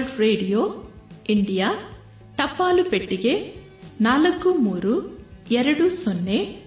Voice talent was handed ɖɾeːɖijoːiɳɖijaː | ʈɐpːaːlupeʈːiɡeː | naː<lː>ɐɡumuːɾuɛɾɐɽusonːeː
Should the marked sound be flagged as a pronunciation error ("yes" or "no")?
yes